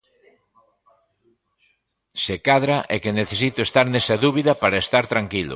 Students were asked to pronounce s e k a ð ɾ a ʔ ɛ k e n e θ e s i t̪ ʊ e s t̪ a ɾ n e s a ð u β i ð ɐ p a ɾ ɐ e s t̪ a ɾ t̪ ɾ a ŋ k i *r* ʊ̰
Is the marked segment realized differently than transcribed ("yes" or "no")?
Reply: yes